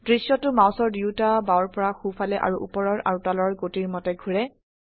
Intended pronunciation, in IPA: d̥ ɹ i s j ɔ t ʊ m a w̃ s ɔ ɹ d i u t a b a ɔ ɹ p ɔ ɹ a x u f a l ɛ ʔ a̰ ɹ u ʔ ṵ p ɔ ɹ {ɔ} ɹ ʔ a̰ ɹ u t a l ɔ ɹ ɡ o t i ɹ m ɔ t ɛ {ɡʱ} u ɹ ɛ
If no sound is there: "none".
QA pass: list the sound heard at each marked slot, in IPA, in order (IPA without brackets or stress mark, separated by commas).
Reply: ɔ, ɡʱ